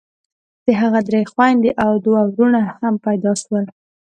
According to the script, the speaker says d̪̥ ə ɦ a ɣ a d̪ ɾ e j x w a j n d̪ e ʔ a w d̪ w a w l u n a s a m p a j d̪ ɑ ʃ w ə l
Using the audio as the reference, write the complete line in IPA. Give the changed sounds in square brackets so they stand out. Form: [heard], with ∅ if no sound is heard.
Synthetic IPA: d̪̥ ə ɦ a ɣ a d̪ ɾ e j x w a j n d̪ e ʔ a w d̪ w a w [ɾ] u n a [h] a m p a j d̪ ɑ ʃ w ə l